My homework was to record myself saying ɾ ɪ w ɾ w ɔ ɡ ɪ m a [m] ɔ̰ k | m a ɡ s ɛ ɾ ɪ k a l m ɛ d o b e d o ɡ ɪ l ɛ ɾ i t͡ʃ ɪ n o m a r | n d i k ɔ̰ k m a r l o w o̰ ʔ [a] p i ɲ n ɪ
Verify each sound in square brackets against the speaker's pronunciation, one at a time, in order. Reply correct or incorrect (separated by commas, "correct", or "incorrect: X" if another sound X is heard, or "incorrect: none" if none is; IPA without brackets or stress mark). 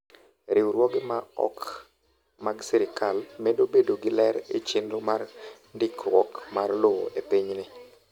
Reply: incorrect: none, incorrect: e